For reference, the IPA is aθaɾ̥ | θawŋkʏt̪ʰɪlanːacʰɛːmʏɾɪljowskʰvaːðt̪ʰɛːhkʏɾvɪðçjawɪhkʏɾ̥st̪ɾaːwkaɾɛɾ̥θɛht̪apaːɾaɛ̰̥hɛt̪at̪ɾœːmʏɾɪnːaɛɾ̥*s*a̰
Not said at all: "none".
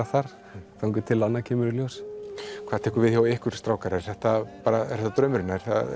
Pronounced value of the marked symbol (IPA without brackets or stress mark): θ